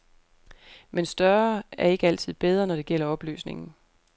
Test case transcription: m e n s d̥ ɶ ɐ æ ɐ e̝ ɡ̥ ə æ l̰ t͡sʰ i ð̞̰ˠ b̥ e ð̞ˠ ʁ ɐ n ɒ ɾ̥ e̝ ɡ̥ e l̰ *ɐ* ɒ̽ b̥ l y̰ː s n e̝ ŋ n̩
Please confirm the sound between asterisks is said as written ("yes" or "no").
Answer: yes